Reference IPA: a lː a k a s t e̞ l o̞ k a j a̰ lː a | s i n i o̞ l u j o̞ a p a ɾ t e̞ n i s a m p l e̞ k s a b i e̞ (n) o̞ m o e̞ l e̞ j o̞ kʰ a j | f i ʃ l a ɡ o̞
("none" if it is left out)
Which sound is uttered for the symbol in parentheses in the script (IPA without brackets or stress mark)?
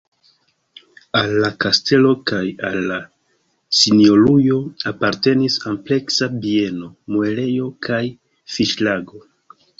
n